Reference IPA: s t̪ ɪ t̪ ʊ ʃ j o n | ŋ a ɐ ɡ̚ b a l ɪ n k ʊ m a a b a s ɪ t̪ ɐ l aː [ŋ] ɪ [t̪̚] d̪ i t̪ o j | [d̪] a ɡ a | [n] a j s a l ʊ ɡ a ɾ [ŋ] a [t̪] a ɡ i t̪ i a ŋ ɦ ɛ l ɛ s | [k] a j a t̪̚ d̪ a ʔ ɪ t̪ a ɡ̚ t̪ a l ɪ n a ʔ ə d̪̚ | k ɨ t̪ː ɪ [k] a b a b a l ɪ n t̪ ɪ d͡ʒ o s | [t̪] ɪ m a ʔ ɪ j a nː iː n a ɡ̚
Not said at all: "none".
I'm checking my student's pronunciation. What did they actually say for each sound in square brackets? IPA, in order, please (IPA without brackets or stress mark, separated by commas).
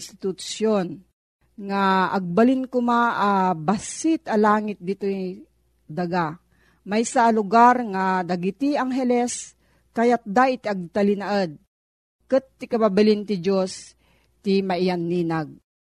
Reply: ŋ, t̪̚, d̪, m, ŋ, d̪, k, k, t̪